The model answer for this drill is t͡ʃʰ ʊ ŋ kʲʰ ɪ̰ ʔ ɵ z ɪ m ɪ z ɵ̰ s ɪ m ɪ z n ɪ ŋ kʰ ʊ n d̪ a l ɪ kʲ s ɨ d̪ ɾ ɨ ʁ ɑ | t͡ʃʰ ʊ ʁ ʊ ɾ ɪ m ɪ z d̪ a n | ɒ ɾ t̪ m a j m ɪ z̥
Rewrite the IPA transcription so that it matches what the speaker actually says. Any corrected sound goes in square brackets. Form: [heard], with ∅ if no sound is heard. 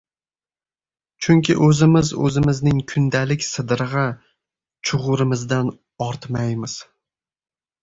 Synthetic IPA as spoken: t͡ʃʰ ʊ ŋ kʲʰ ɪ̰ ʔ ɵ z ɪ m ɪ z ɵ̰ [z] ɪ m ɪ z n ɪ ŋ kʰ ʊ n d̪ a l ɪ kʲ s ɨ d̪ ɾ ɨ ʁ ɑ | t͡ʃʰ ʊ ʁ ʊ ɾ ɪ m ɪ z d̪ a n | ɒ ɾ t̪ m a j m ɪ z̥